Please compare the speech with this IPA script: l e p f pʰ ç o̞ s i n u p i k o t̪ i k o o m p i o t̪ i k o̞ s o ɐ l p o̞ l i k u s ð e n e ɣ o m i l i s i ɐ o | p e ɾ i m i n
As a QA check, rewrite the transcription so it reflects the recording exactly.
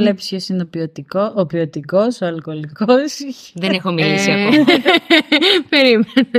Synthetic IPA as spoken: l e p s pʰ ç o̞ s i n o p i o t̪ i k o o p i o t̪ i k o̞ s o ɐ l k o̞ l i k o s ð e n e x o m i l i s i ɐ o | p e ɾ i m e n